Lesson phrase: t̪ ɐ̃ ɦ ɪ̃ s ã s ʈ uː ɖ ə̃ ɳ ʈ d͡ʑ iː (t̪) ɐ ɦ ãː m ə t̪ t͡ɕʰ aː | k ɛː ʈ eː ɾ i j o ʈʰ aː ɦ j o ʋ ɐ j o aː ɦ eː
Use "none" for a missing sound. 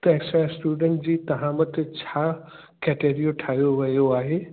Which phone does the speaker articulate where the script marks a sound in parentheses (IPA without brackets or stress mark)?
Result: t̪